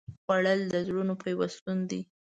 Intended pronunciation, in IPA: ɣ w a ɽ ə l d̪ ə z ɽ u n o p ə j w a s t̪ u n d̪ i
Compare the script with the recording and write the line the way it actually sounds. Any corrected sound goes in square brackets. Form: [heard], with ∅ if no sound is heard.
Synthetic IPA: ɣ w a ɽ ə l d̪ ə z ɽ u n o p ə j w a s t̪ u n d̪ i